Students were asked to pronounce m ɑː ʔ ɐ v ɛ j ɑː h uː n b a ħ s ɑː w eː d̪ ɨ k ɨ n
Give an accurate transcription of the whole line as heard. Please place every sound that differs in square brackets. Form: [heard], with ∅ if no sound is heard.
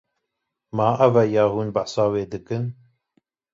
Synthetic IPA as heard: m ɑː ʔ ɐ v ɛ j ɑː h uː n b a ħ s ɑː w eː d̪ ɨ k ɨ n

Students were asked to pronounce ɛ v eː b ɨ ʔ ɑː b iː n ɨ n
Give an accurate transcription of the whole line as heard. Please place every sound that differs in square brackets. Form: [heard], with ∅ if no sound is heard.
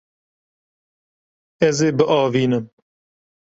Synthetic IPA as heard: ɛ [z] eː b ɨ ʔ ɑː [v] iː n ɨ [m]

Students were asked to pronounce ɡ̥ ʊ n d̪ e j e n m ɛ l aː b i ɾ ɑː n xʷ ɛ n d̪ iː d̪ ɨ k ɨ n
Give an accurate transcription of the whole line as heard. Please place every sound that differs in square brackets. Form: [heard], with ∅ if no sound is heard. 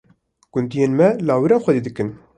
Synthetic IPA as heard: ɡ̥ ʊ n d̪ [i] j e n m ɛ l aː [w] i ɾ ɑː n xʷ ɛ [∅] d̪ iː d̪ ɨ k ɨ n

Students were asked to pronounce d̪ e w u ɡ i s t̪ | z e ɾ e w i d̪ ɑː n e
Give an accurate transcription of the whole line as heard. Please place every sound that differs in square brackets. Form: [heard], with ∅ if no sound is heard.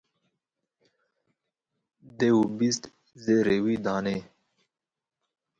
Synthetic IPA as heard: d̪ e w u [b] i s t̪ | z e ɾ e w i d̪ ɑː n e

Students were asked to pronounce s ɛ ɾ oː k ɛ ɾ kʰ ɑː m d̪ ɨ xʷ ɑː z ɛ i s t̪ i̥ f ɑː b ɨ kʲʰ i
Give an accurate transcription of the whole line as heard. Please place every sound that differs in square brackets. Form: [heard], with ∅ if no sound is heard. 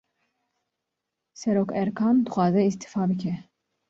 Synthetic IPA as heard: s ɛ ɾ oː k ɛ ɾ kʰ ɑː m d̪ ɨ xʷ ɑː z ɛ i s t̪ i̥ f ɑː b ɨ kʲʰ [ɛ]

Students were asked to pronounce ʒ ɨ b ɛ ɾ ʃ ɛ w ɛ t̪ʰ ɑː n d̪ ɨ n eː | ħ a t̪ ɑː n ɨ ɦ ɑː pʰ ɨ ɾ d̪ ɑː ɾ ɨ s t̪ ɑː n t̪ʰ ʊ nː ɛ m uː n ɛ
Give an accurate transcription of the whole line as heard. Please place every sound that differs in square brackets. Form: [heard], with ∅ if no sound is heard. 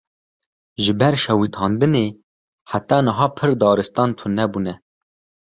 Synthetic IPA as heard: ʒ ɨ b ɛ ɾ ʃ ɛ w [i] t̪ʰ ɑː n d̪ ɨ n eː | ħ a t̪ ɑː n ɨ ɦ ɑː pʰ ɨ ɾ d̪ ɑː ɾ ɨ s t̪ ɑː n t̪ʰ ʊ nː ɛ [b] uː n ɛ

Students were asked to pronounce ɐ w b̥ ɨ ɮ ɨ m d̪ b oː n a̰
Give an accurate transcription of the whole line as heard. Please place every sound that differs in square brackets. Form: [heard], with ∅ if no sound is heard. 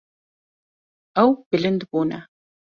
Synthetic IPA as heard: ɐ w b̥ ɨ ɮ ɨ [n] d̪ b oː n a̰

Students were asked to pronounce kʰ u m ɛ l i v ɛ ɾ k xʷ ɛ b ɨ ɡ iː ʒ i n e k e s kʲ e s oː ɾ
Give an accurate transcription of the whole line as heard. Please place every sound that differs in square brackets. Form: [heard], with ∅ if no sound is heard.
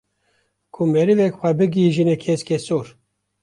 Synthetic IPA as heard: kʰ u m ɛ [ɾ] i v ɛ [∅] k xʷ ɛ b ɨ ɡ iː ʒ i n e [kʰ] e s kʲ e s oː ɾ

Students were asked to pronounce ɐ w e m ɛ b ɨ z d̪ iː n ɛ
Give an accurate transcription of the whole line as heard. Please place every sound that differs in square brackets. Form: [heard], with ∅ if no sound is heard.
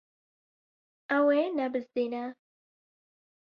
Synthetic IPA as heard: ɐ w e [n] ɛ b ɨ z d̪ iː n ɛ

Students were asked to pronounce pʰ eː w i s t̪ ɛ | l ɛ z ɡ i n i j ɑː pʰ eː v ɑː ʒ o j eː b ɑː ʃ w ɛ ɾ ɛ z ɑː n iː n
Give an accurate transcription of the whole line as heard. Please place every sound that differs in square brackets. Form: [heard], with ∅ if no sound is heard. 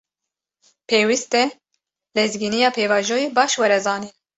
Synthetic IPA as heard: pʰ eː w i s t̪ ɛ | l ɛ z ɡ i n i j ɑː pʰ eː v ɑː ʒ o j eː b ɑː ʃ w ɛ ɾ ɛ z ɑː n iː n

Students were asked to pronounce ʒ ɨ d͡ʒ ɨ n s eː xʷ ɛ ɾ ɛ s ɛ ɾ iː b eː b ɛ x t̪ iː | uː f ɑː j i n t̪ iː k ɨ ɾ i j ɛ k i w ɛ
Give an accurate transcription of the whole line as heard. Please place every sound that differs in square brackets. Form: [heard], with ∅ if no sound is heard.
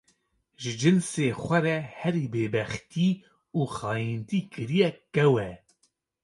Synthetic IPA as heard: ʒ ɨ d͡ʒ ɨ n s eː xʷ ɛ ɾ ɛ [h] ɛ ɾ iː b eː b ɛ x t̪ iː | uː [x] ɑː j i n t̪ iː k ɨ ɾ i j ɛ k [ɛ] w ɛ

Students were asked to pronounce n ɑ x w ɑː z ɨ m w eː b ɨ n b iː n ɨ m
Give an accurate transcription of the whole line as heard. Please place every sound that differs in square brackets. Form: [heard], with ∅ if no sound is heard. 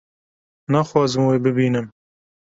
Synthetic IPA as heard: n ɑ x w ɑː z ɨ m w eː b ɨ [∅] b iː n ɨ m

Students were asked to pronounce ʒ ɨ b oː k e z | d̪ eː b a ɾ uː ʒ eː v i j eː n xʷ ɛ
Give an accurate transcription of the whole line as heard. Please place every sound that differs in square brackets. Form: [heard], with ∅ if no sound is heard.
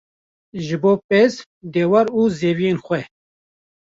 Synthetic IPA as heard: ʒ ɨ b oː [p] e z | d̪ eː [w] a ɾ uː [z] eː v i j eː n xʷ ɛ

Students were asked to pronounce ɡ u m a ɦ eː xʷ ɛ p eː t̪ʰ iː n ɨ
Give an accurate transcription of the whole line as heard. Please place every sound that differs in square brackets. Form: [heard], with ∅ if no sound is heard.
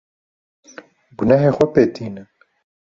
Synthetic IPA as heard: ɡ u [n] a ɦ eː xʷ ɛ p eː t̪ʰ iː n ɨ

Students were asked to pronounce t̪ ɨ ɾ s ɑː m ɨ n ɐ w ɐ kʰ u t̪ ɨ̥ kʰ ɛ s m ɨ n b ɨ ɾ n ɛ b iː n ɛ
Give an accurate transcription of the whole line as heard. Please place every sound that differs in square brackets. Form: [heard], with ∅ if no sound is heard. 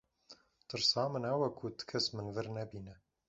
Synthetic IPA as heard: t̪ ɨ ɾ s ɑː m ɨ n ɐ w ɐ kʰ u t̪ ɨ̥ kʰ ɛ s m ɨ n [v] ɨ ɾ n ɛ b iː n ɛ

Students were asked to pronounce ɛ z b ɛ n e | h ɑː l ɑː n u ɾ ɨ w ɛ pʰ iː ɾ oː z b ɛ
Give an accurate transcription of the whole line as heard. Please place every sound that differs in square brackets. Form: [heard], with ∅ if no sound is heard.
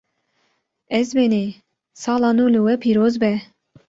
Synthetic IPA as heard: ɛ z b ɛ n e | [s] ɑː l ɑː n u [l] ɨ w ɛ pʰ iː ɾ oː z b ɛ

